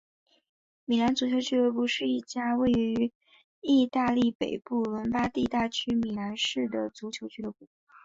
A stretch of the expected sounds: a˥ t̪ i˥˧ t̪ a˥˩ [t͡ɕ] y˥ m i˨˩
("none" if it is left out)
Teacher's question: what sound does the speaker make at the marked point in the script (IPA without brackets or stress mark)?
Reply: t͡ɕʰ